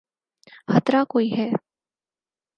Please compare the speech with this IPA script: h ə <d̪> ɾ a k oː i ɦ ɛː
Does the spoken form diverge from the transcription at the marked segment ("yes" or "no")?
yes